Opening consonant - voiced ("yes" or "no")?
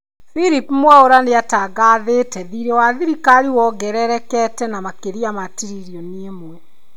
no